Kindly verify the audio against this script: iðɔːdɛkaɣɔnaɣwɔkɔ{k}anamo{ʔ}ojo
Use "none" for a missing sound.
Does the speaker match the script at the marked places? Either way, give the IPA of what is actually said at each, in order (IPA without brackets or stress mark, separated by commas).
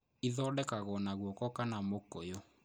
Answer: k, k